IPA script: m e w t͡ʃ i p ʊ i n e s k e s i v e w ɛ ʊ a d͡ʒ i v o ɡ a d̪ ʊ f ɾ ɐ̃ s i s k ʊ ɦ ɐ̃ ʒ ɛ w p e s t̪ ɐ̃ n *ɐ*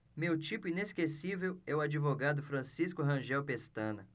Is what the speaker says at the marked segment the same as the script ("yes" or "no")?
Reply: yes